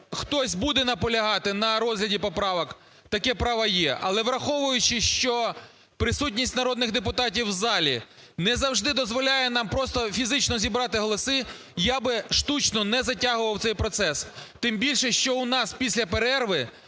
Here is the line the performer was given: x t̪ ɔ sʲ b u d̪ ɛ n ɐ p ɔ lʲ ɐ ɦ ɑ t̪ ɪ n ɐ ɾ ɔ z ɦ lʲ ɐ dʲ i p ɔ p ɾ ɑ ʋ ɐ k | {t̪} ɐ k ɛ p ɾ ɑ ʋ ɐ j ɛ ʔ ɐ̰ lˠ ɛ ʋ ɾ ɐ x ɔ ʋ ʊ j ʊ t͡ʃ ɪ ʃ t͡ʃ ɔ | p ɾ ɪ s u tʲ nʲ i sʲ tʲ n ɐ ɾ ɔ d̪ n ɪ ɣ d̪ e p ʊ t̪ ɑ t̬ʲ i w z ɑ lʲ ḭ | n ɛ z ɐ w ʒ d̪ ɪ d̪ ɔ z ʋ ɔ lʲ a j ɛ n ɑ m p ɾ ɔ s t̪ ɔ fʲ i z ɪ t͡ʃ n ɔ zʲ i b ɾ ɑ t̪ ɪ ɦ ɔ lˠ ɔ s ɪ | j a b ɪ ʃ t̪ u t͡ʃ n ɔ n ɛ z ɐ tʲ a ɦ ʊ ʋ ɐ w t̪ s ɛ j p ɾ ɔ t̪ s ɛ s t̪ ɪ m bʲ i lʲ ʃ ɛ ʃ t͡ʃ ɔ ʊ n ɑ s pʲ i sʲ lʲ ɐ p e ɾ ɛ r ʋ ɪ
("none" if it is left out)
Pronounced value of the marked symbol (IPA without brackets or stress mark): t̪